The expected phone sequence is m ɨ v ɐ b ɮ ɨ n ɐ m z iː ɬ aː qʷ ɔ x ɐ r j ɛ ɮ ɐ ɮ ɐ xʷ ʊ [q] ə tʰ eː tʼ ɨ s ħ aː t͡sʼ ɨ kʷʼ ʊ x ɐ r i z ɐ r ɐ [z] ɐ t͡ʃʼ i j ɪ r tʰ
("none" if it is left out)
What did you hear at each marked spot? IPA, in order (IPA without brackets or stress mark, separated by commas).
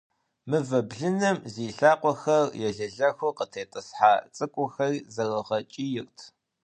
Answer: q, ʁ